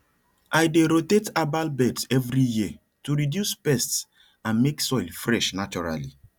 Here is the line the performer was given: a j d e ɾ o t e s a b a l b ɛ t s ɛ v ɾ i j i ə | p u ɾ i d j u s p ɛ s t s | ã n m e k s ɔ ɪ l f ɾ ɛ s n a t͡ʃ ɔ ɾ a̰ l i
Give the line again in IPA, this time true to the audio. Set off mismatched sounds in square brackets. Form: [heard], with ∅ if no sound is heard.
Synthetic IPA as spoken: a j d e ɾ o t e [t] a b a l b ɛ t s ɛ v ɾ i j i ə | [t] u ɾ i d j u s p ɛ s t s | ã n m e k s ɔ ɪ l f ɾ ɛ [ʃ] n a t͡ʃ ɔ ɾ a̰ l i